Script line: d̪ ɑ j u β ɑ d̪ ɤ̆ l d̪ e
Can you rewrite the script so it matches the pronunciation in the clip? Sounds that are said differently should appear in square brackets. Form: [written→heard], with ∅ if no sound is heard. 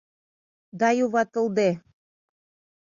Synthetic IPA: d̪ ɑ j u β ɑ [d̪→t̪] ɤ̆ l d̪ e